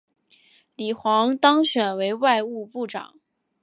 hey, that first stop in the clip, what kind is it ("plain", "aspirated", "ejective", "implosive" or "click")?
plain